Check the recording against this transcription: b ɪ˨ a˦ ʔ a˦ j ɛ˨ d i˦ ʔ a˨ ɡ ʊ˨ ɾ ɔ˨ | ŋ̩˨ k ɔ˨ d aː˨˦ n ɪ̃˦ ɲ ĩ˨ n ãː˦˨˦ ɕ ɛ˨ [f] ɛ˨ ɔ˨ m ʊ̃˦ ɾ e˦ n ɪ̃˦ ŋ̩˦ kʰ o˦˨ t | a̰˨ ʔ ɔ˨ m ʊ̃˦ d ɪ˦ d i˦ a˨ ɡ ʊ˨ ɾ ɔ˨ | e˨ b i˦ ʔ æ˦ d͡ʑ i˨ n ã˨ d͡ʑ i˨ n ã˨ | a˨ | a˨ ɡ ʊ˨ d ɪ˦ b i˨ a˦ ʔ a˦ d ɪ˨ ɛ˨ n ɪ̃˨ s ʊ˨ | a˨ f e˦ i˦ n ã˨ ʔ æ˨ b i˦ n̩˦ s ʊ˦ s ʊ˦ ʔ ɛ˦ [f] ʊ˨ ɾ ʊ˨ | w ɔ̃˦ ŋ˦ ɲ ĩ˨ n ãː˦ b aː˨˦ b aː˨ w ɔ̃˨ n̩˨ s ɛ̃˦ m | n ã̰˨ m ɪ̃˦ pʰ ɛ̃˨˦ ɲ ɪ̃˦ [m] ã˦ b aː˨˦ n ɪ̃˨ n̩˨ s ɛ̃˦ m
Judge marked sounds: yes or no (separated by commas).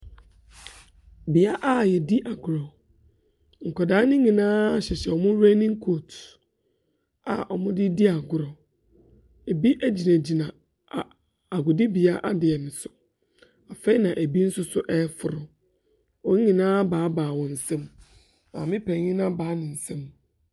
no, yes, no